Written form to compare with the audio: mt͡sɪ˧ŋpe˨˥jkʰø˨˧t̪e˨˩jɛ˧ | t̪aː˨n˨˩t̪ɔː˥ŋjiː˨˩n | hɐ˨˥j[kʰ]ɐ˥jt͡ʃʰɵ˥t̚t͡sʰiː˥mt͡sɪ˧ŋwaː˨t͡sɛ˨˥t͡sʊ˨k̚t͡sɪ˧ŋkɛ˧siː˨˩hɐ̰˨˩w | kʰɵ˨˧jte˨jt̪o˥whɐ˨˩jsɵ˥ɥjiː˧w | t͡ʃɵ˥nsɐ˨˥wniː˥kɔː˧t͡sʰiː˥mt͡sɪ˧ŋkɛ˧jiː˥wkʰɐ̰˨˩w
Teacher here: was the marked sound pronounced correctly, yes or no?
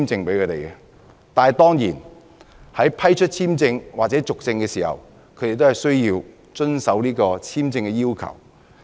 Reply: no